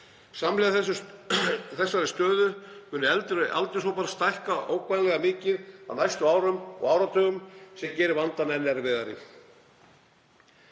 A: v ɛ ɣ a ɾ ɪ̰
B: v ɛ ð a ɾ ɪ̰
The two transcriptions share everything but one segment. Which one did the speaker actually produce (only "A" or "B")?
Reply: B